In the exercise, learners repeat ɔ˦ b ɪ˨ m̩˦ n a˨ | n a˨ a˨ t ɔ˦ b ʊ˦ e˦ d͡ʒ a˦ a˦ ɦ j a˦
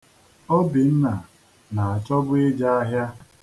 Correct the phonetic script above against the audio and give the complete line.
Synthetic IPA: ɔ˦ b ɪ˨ n̩˦ n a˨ | n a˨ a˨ t͡ʃ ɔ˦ b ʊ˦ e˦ d͡ʒ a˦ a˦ ɦ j a˦